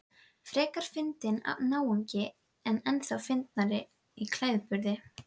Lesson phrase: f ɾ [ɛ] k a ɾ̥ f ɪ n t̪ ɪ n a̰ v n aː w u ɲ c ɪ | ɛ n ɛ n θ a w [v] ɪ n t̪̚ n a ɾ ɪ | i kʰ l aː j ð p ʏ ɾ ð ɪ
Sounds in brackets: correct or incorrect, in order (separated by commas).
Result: incorrect, incorrect